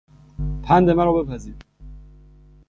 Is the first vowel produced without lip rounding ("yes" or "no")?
yes